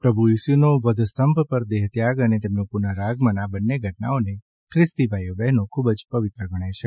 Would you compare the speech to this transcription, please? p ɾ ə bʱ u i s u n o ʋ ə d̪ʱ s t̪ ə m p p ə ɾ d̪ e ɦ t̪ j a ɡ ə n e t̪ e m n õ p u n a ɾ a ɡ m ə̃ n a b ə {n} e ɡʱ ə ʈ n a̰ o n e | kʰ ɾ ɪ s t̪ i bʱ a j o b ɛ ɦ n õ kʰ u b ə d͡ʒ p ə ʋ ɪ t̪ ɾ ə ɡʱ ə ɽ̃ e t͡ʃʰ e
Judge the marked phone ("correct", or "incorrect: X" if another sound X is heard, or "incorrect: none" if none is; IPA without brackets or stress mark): incorrect: nː